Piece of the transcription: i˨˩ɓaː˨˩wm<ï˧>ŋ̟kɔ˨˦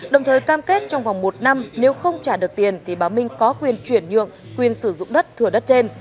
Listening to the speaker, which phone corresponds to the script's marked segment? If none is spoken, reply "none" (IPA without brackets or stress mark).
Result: ï˧